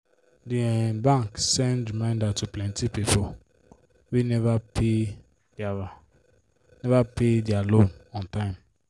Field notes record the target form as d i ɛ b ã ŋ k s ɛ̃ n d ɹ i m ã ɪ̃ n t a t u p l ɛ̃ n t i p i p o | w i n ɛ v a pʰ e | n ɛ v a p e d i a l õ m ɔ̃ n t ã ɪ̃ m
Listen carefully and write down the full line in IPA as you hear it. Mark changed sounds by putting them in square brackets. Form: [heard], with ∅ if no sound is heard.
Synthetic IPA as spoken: d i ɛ b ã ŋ k s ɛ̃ n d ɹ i m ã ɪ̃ n [d] a t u p l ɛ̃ n t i p i p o | w i n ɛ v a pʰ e | n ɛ v a p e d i a l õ [n] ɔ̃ n t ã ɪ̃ m